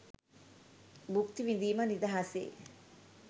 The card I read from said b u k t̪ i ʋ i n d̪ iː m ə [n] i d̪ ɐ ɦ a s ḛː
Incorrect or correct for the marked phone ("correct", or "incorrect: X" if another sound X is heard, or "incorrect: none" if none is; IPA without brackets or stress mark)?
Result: correct